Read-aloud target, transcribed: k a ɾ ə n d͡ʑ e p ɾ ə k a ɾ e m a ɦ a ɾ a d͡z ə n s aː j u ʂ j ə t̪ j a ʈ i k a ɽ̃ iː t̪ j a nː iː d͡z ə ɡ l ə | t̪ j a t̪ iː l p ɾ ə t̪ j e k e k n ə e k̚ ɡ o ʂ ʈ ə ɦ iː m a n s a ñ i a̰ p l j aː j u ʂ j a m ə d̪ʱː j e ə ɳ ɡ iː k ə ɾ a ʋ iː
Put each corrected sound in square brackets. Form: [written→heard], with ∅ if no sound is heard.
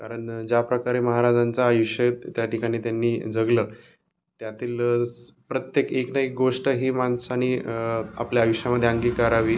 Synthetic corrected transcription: k a ɾ ə [n→ɳ] d͡ʑ [e→a] p ɾ ə k a ɾ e m [a→ə] ɦ a ɾ a d͡z [ə→a] n [s→t͡s] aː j u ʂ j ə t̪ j a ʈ i k a ɽ̃ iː t̪ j a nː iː d͡z ə ɡ l ə | t̪ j a t̪ iː l p ɾ ə t̪ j e k e k n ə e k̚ ɡ o ʂ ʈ ə ɦ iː m a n s a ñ i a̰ p l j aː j u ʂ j a m ə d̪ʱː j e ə [ɳ→ŋ] ɡ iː k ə ɾ a ʋ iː